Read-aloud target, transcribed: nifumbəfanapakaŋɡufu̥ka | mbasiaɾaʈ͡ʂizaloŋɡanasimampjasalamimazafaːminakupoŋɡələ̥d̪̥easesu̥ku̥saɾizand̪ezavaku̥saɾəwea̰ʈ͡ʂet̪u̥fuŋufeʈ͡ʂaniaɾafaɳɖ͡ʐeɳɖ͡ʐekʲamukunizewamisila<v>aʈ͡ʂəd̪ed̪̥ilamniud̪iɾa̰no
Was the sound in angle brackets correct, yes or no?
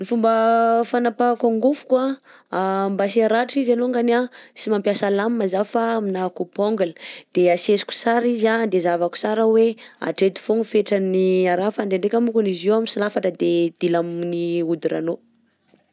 no